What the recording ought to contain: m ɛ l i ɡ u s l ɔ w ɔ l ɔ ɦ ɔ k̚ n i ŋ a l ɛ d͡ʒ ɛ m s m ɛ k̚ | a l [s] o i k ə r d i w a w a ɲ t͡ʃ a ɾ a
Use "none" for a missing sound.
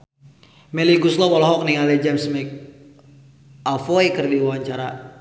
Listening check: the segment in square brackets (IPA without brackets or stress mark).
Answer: f